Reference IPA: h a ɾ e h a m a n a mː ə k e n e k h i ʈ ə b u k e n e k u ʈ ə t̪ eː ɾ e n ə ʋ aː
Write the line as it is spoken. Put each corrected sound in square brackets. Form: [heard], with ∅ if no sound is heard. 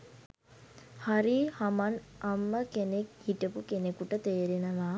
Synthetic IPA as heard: h a ɾ [i] h a m a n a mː ə k e n e k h i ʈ ə [p] u k e n e k u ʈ ə t̪ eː ɾ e n ə ʋ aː